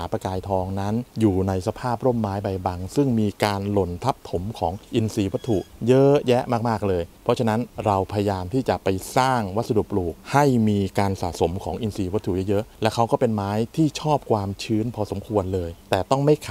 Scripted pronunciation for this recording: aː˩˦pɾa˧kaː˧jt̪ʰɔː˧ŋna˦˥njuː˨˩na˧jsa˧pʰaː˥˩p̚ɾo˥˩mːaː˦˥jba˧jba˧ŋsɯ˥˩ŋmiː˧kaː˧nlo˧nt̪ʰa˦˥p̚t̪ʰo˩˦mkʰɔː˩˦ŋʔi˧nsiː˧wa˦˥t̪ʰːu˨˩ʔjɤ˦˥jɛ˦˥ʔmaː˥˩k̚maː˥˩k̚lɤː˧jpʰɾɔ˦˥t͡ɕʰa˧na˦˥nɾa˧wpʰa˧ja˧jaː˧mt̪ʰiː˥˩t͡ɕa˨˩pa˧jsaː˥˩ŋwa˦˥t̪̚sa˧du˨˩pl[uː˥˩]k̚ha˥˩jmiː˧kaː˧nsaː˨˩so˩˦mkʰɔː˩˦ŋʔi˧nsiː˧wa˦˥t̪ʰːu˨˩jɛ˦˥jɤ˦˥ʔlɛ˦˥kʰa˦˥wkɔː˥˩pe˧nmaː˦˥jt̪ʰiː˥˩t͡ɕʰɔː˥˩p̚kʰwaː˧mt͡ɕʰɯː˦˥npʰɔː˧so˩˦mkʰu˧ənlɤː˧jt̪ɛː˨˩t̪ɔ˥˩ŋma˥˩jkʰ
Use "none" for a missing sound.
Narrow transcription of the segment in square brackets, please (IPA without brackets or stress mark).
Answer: uː˨˩